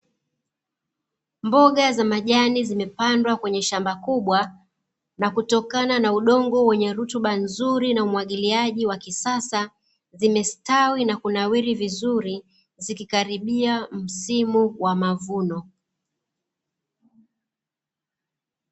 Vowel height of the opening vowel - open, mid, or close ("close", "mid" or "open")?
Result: mid